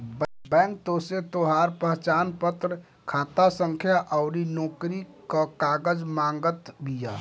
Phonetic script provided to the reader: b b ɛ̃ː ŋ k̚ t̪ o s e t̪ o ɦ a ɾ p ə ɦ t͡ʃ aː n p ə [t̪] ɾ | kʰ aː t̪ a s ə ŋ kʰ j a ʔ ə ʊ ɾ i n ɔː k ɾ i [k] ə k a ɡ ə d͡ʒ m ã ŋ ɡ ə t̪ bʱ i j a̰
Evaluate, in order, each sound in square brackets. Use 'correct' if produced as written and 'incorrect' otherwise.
correct, correct

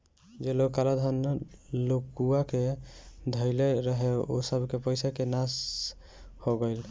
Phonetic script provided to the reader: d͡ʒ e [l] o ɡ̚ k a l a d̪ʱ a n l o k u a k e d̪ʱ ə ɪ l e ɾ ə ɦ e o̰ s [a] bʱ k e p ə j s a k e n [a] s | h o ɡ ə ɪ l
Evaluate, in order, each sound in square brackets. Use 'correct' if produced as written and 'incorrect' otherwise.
correct, incorrect: ə, correct

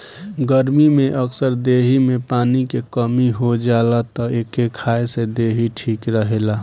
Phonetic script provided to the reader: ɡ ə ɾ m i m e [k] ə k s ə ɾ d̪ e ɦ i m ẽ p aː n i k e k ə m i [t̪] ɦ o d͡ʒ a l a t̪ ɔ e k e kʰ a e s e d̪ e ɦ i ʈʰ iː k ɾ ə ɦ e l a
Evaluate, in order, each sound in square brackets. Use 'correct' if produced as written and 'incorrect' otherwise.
incorrect: ʔ, incorrect: none

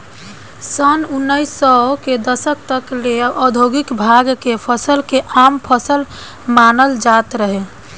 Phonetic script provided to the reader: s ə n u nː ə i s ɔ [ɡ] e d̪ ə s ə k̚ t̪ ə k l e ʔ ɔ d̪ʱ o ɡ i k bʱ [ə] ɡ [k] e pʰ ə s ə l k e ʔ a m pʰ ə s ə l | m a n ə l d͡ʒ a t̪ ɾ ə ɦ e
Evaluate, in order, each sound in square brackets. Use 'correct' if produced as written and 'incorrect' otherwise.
incorrect: k, incorrect: a, correct

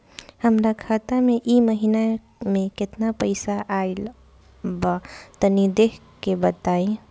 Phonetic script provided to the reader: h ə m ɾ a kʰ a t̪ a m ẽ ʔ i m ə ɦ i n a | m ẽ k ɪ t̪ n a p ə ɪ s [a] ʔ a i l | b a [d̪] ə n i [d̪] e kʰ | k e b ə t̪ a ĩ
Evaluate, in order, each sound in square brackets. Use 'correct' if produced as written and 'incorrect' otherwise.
correct, incorrect: t̪, correct

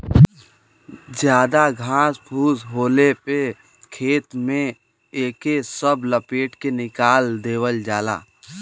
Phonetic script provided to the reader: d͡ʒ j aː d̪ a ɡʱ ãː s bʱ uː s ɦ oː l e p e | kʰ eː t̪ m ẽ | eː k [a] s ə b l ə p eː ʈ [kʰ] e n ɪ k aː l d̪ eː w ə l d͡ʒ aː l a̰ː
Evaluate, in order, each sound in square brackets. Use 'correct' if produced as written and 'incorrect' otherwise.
incorrect: e, incorrect: k

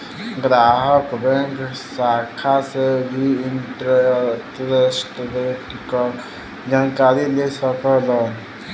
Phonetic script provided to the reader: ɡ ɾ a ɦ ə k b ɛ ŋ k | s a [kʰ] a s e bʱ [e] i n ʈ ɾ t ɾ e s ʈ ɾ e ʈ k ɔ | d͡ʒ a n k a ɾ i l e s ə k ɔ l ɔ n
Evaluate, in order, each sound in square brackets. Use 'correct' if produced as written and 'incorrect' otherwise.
correct, incorrect: i

